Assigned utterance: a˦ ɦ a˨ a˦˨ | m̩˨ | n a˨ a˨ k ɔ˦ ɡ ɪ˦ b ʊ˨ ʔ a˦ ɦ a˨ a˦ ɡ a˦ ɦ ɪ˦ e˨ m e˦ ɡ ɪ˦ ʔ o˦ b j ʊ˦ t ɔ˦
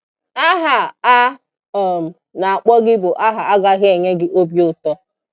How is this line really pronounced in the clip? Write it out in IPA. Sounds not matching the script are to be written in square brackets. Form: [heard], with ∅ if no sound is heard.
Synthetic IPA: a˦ ɦ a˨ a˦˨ | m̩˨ | n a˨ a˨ [k͡p] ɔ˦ ɡ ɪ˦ b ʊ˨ ʔ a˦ ɦ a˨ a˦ ɡ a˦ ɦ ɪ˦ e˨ [ɲ] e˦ ɡ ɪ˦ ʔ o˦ b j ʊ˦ t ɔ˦